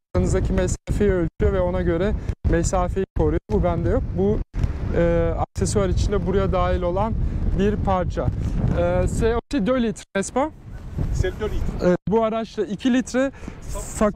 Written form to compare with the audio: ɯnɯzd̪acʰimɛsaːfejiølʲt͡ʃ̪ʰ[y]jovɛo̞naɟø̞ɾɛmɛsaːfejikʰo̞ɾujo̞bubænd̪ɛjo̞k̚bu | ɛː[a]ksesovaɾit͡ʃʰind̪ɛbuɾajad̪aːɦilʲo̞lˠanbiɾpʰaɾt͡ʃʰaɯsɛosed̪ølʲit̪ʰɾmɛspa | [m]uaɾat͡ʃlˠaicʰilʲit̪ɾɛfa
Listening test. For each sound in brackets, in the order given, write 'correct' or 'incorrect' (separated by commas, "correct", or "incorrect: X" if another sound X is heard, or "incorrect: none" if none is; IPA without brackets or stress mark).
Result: correct, correct, incorrect: b